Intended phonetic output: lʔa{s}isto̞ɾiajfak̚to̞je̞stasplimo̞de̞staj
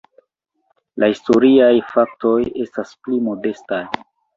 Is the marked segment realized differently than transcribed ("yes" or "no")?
yes